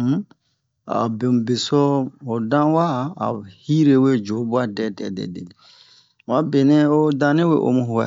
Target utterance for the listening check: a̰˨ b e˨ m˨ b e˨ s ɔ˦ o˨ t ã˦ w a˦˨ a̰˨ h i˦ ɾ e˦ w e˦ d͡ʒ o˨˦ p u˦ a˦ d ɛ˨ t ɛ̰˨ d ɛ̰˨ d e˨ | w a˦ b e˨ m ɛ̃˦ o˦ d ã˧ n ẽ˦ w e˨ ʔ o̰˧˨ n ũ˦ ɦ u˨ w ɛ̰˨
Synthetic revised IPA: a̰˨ b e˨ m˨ b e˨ s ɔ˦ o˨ d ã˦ w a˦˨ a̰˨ h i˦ ɾ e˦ w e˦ d͡ʒ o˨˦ b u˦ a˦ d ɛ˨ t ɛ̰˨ d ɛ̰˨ d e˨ | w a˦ b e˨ n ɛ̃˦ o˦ d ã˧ n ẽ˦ w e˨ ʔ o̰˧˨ m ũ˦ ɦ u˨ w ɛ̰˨